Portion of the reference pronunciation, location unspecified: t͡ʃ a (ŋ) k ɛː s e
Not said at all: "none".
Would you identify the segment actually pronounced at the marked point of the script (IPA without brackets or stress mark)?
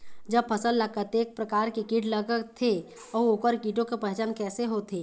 n